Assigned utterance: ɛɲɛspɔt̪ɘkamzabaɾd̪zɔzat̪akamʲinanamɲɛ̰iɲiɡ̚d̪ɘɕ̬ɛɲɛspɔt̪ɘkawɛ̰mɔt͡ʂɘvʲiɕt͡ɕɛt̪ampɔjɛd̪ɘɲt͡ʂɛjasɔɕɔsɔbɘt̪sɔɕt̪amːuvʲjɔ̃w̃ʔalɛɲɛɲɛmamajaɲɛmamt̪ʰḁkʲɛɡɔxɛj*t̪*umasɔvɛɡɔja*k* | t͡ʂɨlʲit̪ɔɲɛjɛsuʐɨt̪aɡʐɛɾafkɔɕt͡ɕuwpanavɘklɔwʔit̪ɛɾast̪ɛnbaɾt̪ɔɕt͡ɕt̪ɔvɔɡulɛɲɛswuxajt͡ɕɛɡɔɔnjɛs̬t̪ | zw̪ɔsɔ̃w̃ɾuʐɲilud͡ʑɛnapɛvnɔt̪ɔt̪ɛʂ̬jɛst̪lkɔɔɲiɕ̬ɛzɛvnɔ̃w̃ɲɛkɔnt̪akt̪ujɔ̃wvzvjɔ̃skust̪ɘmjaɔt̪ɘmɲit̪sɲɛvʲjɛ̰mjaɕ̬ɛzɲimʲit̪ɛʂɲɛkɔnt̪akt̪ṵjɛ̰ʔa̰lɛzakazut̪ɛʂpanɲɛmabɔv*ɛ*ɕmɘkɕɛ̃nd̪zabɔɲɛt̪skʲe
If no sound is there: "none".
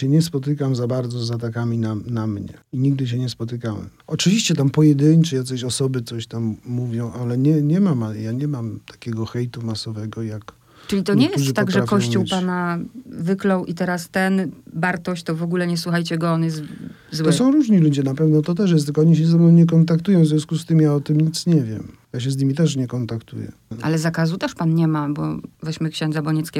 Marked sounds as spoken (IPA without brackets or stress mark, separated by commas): t̪, k, ɛ